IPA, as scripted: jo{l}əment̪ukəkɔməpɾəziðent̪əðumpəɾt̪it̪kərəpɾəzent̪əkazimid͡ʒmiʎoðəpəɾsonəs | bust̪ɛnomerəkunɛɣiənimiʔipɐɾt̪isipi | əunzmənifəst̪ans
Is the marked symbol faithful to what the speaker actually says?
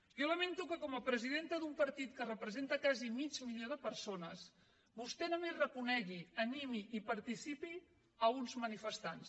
yes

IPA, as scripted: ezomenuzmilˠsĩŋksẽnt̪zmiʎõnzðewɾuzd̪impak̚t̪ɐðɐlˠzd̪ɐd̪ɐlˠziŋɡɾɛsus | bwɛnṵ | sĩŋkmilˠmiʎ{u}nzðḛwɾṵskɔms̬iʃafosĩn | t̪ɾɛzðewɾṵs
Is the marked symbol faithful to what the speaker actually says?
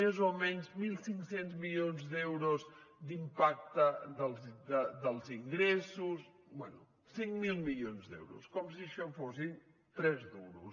no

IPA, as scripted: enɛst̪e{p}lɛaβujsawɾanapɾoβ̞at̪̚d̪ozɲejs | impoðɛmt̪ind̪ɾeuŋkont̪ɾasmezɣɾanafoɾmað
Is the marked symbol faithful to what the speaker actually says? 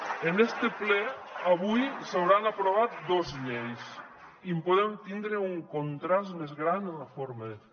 yes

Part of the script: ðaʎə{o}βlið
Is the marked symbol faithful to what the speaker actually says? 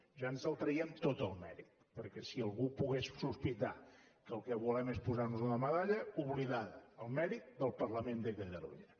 no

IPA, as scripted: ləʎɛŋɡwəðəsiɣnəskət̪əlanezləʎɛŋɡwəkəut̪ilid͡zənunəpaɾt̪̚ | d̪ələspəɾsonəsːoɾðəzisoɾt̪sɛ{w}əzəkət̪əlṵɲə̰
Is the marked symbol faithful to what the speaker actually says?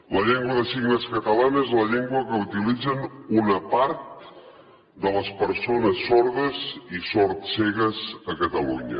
no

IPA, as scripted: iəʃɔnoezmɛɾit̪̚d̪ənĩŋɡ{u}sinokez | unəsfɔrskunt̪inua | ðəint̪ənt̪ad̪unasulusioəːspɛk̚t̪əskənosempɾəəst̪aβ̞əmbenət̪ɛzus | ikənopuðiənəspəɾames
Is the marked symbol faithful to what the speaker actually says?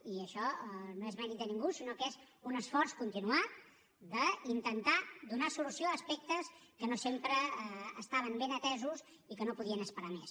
yes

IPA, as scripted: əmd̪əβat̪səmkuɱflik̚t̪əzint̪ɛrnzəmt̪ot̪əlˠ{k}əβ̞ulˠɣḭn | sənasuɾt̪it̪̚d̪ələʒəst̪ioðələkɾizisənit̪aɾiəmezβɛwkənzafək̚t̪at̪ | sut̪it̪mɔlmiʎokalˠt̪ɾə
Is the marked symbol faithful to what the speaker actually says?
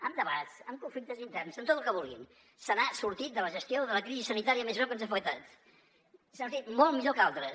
yes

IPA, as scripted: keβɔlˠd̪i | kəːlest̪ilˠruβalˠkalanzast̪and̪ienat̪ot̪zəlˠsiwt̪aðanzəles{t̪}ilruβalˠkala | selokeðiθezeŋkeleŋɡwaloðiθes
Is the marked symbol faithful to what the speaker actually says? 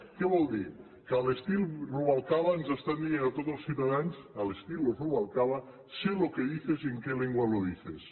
yes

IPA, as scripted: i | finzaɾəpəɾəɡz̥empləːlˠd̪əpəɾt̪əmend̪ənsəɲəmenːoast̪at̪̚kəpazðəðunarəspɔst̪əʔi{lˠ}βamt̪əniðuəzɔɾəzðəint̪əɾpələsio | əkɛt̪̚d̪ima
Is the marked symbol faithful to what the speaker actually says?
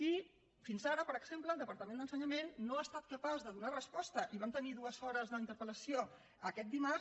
no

